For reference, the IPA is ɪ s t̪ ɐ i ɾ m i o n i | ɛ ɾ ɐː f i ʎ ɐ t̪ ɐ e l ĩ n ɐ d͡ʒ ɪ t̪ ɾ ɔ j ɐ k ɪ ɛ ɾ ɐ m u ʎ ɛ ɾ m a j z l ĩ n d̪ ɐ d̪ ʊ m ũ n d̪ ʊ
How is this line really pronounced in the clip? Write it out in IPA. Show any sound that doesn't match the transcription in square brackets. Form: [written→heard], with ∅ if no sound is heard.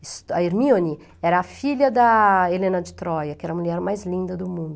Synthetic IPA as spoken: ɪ s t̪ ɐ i ɾ m i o n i | ɛ ɾ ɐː f i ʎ ɐ [t̪→d̪] ɐ e l [ĩ→ẽ] n ɐ d͡ʒ ɪ t̪ ɾ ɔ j ɐ k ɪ ɛ ɾ ɐ m u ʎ ɛ ɾ m a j z l ĩ n d̪ ɐ d̪ ʊ m ũ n d̪ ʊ

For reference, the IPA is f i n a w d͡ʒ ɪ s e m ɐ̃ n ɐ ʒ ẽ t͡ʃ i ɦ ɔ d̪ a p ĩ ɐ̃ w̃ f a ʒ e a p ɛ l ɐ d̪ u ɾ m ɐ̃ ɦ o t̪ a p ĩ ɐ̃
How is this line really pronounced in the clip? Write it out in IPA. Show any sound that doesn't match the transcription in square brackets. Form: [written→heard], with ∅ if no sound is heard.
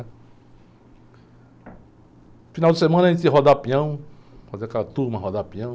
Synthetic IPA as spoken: f i n a w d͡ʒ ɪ s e m ɐ̃ n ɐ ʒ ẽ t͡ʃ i ɦ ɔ d̪ a p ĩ ɐ̃ w̃ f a [ʒ→z] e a [p→k] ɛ l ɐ [d̪→t̪] u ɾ m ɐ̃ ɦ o [t̪→d̪] a p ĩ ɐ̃

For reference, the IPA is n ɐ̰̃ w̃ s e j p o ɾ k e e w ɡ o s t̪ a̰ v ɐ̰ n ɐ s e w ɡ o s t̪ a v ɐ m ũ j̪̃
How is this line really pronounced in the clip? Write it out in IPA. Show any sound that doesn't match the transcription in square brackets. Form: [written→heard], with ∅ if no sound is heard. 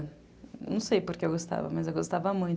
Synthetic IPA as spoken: n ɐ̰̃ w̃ s e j p o ɾ k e e w ɡ o s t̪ a̰ v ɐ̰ [n→m] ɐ [s→z] e w ɡ o s t̪ a v ɐ m ũ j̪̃

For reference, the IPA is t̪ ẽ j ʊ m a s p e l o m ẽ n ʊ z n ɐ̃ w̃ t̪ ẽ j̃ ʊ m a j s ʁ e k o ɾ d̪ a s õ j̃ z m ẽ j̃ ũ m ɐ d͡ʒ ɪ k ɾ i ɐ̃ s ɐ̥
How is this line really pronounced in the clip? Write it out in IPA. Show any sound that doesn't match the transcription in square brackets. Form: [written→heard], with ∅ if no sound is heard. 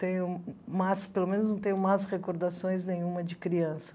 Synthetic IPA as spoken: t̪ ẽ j ʊ m a s p e l o m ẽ n ʊ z n ɐ̃ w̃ t̪ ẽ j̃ ʊ m a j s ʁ e k o ɾ d̪ a s õ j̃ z [m→n] ẽ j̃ ũ m ɐ d͡ʒ ɪ k ɾ i ɐ̃ s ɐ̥

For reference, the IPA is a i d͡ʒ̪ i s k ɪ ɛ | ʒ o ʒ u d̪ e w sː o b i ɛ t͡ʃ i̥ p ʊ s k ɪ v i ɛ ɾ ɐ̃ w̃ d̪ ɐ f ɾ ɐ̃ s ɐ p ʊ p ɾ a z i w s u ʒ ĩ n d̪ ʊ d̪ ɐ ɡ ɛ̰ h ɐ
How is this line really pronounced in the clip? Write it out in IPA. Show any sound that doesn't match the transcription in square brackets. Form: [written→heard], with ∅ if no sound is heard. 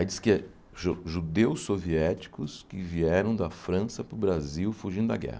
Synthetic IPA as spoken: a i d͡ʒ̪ i s k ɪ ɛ | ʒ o ʒ u d̪ e w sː o [b→v] i ɛ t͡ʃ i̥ [p→k] ʊ s k ɪ v i ɛ ɾ ɐ̃ w̃ d̪ ɐ f ɾ ɐ̃ s ɐ p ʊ [p→b] ɾ a z i w [s→f] u ʒ ĩ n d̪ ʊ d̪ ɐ ɡ ɛ̰ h ɐ

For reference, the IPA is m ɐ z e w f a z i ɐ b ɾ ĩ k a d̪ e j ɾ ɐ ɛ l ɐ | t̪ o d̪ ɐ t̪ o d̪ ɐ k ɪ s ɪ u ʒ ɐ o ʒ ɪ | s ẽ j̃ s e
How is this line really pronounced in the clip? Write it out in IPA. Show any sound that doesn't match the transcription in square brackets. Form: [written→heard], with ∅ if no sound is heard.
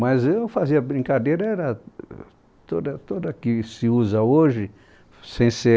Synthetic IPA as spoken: m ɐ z e w f a z i ɐ b ɾ ĩ k a d̪ e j ɾ ɐ ɛ [l→ɾ] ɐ | t̪ o d̪ ɐ t̪ o d̪ ɐ k ɪ s ɪ u [ʒ→z] ɐ o ʒ ɪ | s ẽ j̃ s e

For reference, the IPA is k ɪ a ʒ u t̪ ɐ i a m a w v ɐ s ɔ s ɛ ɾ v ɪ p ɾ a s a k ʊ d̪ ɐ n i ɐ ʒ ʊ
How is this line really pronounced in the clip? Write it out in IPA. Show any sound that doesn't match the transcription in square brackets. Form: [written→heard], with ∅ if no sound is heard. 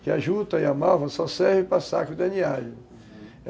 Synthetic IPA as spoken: k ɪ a ʒ u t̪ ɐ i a m a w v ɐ s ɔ s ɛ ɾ v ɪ p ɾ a s a k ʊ d̪ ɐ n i [ɐ→a] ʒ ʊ

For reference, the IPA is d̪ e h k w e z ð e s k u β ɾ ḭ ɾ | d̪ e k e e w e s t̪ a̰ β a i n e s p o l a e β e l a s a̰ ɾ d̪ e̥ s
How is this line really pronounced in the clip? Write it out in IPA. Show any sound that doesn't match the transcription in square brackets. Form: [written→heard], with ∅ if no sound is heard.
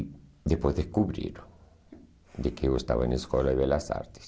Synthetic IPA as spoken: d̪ e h [k→p] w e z ð e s k u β ɾ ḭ ɾ | d̪ e k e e w e s t̪ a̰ β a [i→e] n e s [p→k] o l a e β e l a s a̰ ɾ [d̪→t̪] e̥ s

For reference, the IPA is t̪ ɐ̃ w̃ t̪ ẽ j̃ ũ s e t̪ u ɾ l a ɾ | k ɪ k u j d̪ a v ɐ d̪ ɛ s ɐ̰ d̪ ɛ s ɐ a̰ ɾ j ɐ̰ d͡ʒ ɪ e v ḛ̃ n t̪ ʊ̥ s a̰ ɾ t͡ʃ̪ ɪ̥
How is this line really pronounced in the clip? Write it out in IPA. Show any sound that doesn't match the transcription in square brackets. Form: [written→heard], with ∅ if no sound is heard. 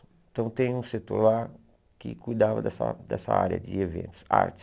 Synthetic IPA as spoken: t̪ ɐ̃ w̃ t̪ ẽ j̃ ũ s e t̪ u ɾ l a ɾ | k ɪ k u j d̪ a v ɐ d̪ ɛ s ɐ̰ d̪ ɛ s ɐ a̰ ɾ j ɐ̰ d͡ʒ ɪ e v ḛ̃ n t̪ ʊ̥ s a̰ ɾ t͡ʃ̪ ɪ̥

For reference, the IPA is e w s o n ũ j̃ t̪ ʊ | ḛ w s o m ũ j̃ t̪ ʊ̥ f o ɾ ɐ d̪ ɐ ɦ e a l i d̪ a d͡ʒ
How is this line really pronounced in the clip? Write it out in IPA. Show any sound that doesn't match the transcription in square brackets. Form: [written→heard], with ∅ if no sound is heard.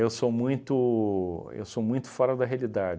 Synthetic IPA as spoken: e w s o [n→m] ũ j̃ t̪ ʊ | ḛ w s o m ũ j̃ t̪ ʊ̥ f [o→ɔ] ɾ ɐ d̪ ɐ ɦ e a l i d̪ a d͡ʒ

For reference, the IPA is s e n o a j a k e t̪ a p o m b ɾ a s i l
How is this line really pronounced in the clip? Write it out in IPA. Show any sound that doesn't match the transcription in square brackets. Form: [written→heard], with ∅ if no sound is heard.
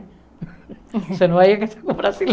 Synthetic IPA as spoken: s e n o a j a k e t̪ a [p→k] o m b ɾ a s i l

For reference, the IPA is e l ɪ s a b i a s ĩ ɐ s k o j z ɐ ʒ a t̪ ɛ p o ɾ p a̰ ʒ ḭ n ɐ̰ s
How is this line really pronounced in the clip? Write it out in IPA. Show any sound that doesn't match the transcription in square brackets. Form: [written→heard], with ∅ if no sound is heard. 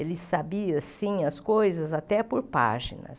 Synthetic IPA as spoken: e l ɪ s a b i [a→ɐ] s ĩ ɐ s k o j z ɐ [ʒ→z] a t̪ ɛ p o ɾ p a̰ ʒ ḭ n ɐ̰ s

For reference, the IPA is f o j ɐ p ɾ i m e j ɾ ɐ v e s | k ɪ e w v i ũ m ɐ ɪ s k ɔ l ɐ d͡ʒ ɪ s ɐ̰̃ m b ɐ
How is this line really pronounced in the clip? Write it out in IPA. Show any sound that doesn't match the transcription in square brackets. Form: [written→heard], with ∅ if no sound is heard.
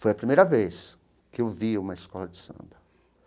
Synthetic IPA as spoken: f o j ɐ p ɾ i m e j ɾ ɐ v e s | k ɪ e w v i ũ m ɐ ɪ s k ɔ l ɐ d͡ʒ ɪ s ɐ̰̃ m b ɐ

